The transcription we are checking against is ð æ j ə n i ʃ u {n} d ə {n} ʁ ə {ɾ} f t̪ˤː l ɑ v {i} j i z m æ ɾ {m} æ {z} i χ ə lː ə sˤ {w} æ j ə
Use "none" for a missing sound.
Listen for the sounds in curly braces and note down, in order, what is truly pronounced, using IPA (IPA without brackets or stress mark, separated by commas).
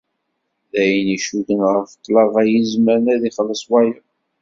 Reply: none, n, ɾ, æ, n, ð, w